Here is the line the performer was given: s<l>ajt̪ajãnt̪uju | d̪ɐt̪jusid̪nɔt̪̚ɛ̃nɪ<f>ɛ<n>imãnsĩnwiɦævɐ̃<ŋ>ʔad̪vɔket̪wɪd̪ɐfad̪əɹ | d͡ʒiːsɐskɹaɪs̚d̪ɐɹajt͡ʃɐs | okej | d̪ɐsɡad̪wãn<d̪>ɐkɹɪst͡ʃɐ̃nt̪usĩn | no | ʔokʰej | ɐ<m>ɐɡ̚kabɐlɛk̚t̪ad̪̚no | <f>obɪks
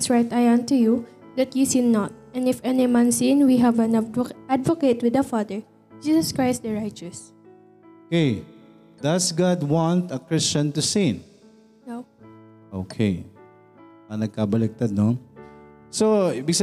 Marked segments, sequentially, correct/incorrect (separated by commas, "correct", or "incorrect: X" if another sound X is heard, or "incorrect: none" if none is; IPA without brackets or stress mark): incorrect: ɹ, correct, correct, incorrect: n, incorrect: t̪, incorrect: n, incorrect: s